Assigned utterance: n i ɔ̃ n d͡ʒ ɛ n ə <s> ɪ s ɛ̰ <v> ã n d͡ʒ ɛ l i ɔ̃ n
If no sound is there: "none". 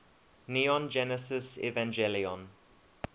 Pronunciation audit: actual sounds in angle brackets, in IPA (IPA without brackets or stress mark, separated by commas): s, v